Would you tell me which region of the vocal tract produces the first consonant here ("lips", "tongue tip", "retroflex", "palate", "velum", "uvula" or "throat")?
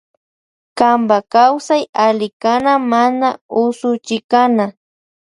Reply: velum